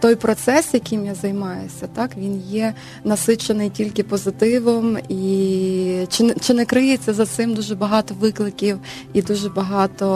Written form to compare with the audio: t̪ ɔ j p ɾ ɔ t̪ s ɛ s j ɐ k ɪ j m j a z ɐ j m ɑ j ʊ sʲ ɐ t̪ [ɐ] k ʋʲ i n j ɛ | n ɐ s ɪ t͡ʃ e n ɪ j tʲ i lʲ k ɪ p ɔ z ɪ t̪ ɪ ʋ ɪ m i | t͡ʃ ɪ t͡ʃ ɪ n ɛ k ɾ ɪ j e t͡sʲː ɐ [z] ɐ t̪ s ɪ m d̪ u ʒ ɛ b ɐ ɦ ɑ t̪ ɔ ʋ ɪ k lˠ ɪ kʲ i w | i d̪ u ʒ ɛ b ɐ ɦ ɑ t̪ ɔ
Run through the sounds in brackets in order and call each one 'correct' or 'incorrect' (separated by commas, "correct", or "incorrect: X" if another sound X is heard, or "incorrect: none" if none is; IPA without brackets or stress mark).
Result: incorrect: ɑ, correct